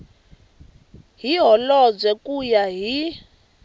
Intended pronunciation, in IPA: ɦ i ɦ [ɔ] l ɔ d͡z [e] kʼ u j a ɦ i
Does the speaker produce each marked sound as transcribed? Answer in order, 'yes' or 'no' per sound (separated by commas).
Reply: yes, no